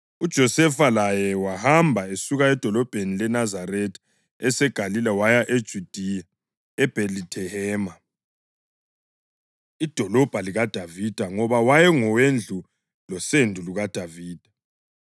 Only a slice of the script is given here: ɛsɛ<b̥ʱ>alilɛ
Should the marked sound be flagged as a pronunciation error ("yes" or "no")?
yes